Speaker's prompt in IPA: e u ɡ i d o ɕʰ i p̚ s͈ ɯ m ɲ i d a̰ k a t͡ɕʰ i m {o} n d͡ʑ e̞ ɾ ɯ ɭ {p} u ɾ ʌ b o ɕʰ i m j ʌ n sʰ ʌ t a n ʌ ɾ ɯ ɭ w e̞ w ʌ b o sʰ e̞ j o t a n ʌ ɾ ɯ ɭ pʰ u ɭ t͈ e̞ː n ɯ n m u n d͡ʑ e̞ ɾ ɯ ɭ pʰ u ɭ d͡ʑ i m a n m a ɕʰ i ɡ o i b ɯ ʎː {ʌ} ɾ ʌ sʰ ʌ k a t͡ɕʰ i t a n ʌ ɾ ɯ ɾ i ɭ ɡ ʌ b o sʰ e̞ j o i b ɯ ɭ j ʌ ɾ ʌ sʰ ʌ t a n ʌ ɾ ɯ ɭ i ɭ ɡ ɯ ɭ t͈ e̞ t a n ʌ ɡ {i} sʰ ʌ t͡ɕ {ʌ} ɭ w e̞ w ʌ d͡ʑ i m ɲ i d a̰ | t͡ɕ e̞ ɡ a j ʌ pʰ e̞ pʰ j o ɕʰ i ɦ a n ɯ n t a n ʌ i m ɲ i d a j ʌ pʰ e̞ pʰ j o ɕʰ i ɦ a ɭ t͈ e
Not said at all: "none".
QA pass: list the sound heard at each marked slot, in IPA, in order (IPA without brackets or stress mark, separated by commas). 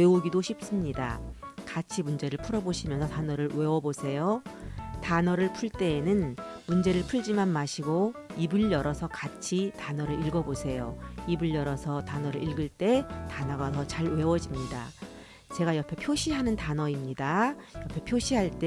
u, pʰ, ʌ, a, a